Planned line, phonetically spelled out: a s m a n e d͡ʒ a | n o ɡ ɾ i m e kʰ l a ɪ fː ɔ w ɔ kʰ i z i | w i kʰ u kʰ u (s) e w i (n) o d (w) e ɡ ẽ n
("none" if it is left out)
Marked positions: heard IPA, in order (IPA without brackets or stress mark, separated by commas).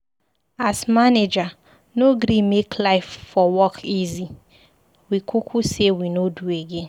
s, n, u